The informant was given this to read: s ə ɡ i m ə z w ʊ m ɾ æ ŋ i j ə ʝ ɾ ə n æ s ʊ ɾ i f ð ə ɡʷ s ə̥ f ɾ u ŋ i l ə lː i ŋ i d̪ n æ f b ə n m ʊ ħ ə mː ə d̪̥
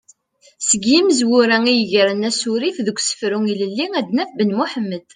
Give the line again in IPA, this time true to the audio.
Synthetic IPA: s ə ɡ i m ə z w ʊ ɾ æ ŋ i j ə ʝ ɾ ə n æ s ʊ ɾ i f ð ə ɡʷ s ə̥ f ɾ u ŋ i l ə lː i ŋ æ d̪ n æ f b ə n m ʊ ħ ə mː ə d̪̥

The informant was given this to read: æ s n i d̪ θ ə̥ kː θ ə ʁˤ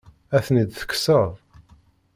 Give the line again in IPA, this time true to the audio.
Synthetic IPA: æ θ n i d̪ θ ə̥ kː s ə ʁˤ

